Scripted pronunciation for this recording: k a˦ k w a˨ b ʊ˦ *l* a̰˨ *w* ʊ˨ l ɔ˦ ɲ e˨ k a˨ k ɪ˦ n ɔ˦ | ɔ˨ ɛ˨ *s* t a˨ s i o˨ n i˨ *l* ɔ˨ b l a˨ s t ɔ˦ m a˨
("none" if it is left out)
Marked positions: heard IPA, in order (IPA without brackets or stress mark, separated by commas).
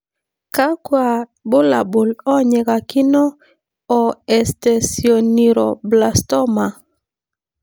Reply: l, b, s, ɾ